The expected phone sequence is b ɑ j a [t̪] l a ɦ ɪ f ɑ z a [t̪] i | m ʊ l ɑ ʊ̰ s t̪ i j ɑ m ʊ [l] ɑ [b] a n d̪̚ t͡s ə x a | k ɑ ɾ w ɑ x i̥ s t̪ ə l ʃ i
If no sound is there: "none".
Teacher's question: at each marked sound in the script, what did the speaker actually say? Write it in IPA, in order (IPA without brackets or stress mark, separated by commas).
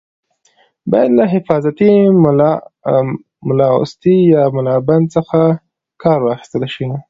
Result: d̪, t̪, l, b